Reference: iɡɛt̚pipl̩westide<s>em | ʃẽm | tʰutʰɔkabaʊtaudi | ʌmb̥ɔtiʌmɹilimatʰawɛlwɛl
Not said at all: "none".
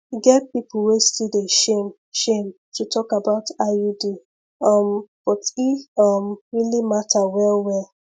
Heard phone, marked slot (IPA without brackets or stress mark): ʃ